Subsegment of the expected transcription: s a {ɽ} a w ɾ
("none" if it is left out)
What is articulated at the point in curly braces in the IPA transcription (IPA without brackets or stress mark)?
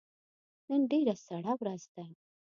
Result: ɽ